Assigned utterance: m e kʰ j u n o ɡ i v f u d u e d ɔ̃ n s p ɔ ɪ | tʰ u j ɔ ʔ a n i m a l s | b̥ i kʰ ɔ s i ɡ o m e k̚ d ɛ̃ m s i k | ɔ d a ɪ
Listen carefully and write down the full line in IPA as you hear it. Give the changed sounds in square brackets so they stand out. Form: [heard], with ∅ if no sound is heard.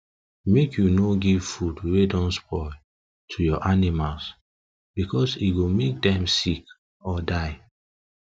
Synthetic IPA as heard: m e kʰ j u n o ɡ i v f u d [w] e d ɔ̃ n s p ɔ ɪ | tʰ u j ɔ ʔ a n i m a l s | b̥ i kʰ ɔ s i ɡ o m e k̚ d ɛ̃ m s i k | ɔ d a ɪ